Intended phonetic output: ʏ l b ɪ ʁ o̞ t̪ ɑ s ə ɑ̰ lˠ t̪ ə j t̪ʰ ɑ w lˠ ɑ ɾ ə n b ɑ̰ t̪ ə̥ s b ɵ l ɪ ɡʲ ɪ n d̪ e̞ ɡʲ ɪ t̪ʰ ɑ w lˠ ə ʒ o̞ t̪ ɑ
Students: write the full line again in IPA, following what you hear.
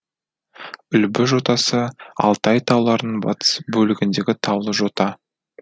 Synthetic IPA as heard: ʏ l b ɪ ʒ o̞ t̪ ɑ s ə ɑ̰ lˠ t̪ ɑ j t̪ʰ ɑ w lˠ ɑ ɾ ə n b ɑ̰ t̪ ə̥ s b ɵ l ɪ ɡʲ ɪ n d̪ e̞ ɡʲ ɪ t̪ʰ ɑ w lˠ ə ʒ o̞ t̪ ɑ